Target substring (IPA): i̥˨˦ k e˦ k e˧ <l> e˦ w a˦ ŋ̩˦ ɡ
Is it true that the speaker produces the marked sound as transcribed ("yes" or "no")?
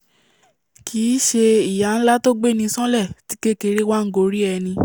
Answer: no